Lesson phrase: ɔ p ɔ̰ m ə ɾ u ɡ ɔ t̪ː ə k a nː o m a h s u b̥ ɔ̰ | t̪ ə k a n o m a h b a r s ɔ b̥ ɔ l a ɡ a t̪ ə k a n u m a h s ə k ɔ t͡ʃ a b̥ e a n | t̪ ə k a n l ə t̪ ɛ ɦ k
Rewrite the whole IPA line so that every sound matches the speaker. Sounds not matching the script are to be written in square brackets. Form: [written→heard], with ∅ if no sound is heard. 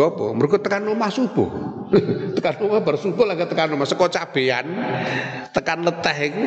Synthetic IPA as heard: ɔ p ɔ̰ m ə ɾ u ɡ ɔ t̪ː ə k a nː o m a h s u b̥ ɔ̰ | t̪ ə k a n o m a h b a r s [ɔ→u] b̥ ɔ l a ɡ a t̪ ə k a n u m a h s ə k ɔ t͡ʃ a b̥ e a n | t̪ ə k a n l ə t̪ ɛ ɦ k